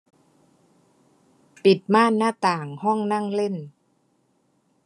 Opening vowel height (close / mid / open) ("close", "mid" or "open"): close